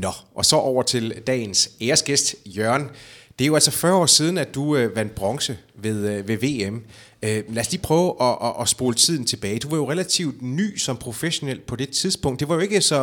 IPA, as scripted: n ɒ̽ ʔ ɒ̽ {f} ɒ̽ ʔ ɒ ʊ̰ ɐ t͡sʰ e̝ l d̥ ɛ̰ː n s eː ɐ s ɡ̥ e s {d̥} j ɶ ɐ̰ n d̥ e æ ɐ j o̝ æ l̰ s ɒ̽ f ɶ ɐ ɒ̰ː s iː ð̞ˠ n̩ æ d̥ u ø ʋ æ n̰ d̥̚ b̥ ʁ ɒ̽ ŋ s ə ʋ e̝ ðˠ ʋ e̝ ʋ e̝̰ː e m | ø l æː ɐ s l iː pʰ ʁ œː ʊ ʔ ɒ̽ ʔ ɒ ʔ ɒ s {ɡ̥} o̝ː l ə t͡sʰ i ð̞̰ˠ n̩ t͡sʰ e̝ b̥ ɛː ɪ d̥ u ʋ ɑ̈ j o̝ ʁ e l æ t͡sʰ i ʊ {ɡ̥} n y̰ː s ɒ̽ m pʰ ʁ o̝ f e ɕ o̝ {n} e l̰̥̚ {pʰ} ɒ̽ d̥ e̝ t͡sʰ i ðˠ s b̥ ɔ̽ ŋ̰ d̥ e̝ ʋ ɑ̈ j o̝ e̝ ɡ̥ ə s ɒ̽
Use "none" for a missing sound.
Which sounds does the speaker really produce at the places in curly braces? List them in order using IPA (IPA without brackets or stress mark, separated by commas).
s, d̥, b̥, d̥, n, pʰ